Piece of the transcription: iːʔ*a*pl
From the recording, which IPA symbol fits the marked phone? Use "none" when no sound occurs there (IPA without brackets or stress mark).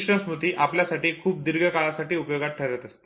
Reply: a